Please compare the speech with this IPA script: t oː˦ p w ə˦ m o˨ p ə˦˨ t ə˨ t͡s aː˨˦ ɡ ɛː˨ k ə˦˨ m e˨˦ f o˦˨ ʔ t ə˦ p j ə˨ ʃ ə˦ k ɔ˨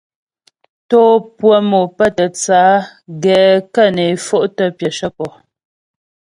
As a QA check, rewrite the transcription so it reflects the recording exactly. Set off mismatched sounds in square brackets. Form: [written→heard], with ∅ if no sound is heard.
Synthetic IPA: t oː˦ p w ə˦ m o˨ p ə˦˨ t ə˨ t͡s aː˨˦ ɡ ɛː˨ k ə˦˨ [m→n] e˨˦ f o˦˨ ʔ t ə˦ p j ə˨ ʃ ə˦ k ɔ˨

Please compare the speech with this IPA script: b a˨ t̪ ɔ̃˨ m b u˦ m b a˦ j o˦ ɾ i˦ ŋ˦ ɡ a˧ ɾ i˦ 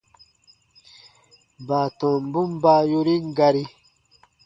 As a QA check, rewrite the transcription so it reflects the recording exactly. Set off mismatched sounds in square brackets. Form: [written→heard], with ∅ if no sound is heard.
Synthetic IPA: b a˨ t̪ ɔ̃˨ m b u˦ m b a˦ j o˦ ɾ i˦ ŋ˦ ɡ a˧ ɾ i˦

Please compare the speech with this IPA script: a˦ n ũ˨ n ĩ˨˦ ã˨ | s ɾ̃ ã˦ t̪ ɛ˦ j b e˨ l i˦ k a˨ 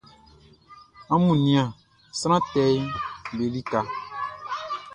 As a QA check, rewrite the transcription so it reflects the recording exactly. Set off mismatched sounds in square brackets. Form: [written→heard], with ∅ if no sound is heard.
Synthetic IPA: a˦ [n→m] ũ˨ n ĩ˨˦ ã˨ | s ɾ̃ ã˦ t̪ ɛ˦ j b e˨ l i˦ k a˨

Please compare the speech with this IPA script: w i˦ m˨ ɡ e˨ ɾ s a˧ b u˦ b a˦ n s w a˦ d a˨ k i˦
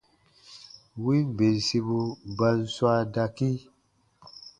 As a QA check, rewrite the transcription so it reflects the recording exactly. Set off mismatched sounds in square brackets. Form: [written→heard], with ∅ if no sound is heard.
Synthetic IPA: w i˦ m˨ [ɡ→b] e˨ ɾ s [a˧→i˧] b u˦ b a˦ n s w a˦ d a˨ k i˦

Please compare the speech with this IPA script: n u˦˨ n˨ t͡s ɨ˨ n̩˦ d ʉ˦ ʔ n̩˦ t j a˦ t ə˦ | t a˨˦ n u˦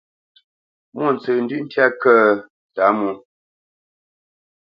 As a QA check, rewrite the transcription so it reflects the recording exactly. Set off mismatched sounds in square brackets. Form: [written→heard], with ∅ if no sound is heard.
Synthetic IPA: [n→m] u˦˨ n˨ t͡s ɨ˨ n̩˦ d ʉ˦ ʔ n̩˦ t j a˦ [t→k] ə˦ | t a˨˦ [n→m] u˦

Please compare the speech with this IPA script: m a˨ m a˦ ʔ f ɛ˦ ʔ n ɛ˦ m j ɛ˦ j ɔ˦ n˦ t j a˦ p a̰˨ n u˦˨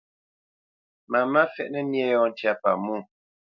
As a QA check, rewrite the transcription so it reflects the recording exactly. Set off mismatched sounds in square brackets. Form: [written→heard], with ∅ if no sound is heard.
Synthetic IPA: m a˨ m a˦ [ʔ→∅] f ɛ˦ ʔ n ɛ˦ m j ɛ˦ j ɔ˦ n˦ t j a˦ p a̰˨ [n→m] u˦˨

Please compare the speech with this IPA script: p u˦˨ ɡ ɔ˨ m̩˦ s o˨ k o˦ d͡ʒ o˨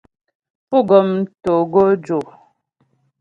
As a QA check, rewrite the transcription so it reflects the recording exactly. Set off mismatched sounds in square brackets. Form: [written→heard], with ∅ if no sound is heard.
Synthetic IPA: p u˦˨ ɡ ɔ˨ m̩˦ [s→t] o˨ [k→ɡ] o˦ d͡ʒ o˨

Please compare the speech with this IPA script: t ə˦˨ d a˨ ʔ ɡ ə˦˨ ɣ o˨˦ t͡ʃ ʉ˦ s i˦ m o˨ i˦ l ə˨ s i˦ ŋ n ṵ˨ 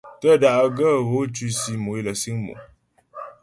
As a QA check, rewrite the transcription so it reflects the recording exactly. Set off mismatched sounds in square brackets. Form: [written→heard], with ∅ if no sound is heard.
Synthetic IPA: t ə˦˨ d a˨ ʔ ɡ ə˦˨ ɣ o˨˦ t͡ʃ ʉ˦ s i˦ m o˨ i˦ l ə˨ s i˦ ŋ [n→m] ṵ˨

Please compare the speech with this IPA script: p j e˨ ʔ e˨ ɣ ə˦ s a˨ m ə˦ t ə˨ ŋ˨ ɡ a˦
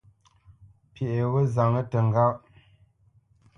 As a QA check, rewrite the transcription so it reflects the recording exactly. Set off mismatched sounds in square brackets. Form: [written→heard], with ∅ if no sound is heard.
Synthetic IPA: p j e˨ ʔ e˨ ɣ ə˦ [s→z] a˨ [m→ŋ] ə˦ t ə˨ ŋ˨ ɡ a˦

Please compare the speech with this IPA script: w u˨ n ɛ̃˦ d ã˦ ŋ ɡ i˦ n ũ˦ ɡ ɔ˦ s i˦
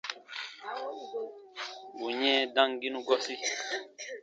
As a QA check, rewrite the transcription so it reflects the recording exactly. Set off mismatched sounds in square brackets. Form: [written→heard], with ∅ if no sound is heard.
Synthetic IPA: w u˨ [n→ɲ] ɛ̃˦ d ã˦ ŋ ɡ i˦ n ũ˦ ɡ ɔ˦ s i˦

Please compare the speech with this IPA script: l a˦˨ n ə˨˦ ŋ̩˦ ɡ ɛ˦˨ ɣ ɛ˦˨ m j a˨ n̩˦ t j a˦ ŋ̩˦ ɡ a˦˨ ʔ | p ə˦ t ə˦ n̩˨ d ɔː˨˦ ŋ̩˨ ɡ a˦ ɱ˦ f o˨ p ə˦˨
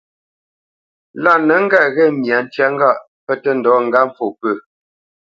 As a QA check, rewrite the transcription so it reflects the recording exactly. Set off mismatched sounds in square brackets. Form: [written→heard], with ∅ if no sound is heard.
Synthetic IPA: l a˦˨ n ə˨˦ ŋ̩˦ ɡ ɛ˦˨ ɣ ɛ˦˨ m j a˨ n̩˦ t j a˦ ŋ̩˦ ɡ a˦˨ ʔ | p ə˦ t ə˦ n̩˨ d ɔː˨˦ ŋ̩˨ ɡ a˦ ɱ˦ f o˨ p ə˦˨

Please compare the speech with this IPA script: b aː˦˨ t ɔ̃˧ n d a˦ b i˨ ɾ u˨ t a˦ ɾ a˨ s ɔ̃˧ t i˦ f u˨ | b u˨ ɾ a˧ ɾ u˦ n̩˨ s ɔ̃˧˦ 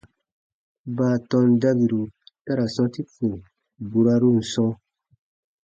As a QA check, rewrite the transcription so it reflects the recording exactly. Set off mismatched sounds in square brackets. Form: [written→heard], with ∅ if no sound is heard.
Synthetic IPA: b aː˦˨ t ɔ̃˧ n d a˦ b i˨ ɾ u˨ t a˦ ɾ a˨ s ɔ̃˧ t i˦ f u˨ | b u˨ ɾ a˧ ɾ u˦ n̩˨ s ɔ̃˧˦

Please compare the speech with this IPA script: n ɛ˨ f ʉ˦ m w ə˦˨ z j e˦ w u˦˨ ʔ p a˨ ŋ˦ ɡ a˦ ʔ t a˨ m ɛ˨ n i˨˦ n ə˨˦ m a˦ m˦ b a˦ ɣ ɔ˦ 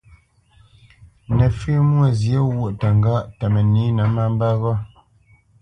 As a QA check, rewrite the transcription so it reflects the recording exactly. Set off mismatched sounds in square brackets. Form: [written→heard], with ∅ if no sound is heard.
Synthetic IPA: n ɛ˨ f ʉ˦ m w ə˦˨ z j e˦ w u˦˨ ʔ [p→t] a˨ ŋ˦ ɡ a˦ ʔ t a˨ m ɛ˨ n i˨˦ n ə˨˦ m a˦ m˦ b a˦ ɣ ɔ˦

